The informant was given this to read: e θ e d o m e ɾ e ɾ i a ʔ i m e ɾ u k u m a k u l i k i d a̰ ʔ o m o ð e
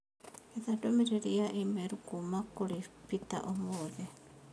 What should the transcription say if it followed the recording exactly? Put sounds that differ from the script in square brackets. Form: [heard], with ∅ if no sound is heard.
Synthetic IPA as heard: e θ [a] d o m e ɾ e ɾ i a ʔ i m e ɾ u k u m a k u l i [p] i [t] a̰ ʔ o m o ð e